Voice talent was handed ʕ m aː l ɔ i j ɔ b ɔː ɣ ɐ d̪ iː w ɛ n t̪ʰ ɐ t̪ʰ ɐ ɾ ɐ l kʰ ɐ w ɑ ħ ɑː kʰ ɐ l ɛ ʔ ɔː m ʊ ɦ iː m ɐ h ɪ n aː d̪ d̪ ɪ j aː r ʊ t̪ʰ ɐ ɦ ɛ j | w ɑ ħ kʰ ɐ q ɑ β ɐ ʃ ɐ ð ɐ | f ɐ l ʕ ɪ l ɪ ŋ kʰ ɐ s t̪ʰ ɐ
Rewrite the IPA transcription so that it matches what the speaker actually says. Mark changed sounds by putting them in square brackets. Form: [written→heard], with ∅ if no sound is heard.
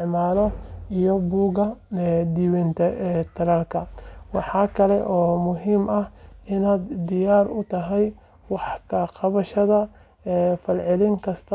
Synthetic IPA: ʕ m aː l ɔ i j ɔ b [ɔː→uː] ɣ ɐ d̪ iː w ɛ n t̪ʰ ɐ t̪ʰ ɐ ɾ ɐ l kʰ ɐ w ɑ ħ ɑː kʰ ɐ l ɛ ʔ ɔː m ʊ ɦ iː m ɐ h ɪ n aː d̪ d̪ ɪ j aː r ʊ t̪ʰ ɐ ɦ ɛ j | w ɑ ħ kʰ ɐ q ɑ β ɐ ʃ ɐ ð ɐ | f ɐ l ʕ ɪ l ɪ ŋ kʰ ɐ s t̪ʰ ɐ